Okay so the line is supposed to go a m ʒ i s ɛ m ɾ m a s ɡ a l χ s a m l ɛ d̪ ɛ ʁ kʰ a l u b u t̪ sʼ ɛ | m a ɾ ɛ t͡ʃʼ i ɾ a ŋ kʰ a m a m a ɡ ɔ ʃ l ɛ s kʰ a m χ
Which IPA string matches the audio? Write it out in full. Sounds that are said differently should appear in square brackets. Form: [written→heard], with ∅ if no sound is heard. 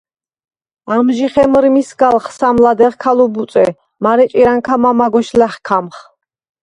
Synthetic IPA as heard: a m ʒ i [s→χ] ɛ m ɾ m [a→i] s ɡ a l χ s a m l [ɛ→a] d̪ ɛ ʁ kʰ a l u b u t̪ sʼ ɛ | m a ɾ ɛ t͡ʃʼ i ɾ a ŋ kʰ a m a m a ɡ ɔ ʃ l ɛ [s→χ] kʰ a m χ